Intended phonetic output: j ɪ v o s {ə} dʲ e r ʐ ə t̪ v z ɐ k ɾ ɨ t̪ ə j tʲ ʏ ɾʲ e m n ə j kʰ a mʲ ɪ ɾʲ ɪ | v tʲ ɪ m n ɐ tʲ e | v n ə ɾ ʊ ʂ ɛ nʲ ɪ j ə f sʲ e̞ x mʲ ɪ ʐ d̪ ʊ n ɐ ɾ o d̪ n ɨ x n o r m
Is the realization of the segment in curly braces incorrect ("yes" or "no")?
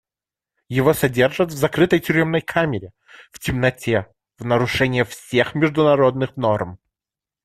yes